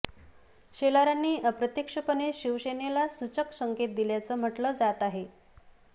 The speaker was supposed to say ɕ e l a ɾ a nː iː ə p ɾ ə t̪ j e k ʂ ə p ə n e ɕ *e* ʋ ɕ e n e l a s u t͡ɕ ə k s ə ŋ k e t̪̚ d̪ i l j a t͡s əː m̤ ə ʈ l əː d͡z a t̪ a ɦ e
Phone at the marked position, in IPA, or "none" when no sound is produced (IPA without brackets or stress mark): i